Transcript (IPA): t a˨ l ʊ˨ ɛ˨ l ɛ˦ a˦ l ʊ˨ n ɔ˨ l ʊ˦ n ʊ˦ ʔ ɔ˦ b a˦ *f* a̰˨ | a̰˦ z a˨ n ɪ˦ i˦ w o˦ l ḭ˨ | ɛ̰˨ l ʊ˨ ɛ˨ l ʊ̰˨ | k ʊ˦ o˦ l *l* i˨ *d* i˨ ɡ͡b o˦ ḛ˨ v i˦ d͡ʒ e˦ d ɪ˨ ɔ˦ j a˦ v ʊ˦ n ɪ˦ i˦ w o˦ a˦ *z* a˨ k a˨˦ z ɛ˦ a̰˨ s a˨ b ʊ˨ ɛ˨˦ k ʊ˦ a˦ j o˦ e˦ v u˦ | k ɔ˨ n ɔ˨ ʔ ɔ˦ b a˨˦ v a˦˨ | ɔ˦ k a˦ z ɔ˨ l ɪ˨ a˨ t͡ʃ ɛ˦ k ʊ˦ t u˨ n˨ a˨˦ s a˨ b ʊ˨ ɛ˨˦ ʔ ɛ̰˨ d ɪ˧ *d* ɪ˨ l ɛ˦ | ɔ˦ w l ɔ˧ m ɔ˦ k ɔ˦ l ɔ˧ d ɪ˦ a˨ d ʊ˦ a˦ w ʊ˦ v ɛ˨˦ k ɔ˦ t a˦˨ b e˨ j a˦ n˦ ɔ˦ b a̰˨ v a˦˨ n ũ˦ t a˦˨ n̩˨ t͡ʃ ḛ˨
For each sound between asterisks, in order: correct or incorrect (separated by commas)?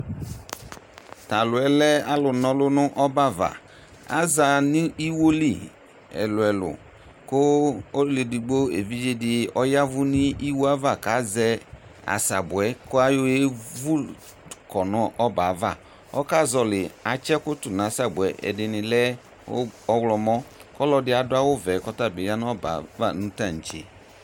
incorrect, correct, correct, incorrect, incorrect